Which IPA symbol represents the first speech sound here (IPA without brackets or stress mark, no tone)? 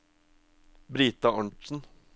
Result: b